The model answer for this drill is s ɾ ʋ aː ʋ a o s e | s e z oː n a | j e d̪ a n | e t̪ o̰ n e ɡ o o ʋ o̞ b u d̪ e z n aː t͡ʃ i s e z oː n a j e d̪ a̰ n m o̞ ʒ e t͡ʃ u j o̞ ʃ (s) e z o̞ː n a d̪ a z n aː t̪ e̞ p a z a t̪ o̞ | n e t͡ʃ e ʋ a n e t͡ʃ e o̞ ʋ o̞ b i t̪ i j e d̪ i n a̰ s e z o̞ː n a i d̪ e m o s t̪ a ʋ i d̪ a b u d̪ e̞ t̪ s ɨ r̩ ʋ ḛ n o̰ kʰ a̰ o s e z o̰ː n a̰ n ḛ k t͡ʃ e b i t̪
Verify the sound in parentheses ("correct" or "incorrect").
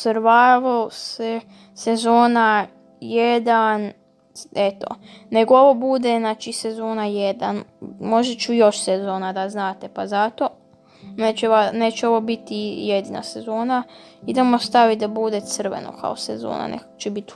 correct